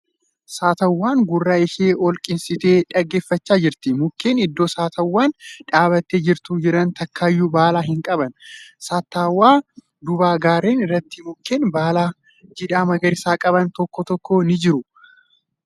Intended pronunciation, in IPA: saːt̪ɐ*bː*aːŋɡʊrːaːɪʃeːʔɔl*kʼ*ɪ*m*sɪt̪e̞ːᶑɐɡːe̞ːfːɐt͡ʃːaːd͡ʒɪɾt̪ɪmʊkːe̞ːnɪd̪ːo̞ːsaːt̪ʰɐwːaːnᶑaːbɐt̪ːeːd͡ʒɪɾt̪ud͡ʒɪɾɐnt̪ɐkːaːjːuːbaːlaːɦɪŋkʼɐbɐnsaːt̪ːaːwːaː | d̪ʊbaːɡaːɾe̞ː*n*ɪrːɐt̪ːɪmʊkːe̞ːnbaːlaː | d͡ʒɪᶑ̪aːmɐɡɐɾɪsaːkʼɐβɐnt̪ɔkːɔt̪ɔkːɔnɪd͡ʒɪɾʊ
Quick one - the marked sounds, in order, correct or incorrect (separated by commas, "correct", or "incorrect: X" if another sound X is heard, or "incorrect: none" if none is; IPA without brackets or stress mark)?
incorrect: wː, correct, incorrect: n, correct